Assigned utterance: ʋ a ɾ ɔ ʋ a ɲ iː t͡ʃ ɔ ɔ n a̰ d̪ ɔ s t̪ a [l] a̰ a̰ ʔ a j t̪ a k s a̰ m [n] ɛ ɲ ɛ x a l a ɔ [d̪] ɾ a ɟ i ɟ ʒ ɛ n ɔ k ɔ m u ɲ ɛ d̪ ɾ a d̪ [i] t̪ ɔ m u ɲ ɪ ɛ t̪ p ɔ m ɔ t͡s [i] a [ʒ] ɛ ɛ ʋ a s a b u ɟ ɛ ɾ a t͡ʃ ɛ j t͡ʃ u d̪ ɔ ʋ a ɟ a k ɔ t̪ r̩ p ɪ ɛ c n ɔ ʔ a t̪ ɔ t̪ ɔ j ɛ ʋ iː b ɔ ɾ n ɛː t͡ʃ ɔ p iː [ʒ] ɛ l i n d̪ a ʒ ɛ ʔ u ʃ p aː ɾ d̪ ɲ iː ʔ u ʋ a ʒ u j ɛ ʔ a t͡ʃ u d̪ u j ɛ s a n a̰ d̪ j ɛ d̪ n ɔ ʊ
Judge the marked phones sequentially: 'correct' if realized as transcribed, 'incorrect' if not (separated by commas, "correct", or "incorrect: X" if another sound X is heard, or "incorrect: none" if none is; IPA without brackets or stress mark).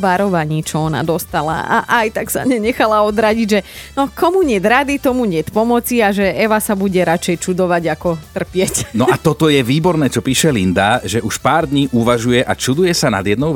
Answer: correct, incorrect: ɲ, correct, correct, correct, correct, incorrect: ʃ